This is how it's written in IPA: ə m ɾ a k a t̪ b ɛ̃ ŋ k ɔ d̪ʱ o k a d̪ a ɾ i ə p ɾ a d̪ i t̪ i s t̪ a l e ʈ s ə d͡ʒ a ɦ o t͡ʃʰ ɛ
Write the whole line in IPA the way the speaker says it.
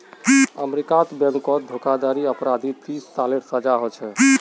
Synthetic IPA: ə m ɾ i k a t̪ b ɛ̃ ŋ k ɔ d̪ʱ o k a d̪ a ɾ i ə p ɾ a d̪ i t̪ i s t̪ a l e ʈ s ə d͡ʒ a ɦ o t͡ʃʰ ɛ